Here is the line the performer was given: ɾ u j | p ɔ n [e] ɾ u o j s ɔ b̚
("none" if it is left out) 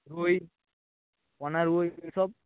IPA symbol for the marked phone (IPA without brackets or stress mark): a